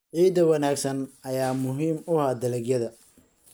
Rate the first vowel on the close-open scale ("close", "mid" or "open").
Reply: close